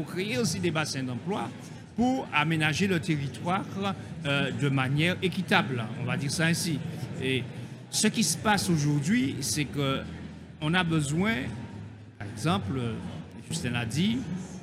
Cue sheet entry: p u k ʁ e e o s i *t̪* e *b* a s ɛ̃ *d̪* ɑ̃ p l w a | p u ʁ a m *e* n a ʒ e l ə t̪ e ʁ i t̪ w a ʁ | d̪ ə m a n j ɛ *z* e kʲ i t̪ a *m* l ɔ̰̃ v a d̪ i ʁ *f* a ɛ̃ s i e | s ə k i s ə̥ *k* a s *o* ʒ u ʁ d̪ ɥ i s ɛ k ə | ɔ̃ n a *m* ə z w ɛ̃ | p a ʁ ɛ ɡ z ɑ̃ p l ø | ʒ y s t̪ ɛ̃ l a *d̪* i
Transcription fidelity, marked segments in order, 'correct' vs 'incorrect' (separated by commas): incorrect, correct, correct, correct, incorrect, incorrect, incorrect, incorrect, correct, incorrect, correct